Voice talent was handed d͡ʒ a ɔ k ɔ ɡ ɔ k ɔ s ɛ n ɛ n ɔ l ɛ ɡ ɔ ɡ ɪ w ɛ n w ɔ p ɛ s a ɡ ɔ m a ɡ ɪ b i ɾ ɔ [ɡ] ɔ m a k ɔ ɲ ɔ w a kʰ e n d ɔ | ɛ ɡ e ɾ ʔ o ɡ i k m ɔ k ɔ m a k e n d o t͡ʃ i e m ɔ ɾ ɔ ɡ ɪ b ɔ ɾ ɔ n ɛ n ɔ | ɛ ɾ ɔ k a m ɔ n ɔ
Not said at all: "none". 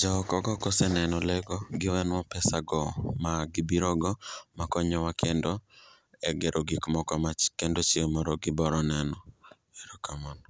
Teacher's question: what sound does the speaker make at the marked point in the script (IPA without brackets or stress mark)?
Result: ɡ